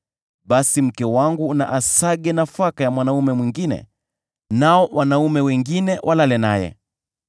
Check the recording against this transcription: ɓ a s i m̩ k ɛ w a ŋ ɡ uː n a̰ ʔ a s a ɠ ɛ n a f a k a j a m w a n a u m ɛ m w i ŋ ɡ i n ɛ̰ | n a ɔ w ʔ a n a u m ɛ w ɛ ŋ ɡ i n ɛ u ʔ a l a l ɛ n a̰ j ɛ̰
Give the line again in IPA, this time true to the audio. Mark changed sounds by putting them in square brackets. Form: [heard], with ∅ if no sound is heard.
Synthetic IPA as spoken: ɓ a s i m̩ k ɛ w a ŋ ɡ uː n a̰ ʔ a s a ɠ ɛ n a f a k a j a m w a n a u m ɛ m w i ŋ ɡ i n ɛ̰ | n a ɔ w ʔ a n a u m ɛ w ɛ ŋ ɡ i n ɛ [w] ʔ a l a l ɛ n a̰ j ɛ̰